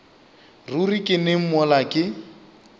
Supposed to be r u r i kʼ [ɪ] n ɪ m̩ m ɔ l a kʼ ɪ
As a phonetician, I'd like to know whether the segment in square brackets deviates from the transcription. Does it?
no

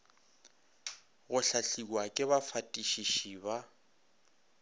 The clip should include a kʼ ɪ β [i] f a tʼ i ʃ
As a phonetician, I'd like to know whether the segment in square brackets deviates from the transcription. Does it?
yes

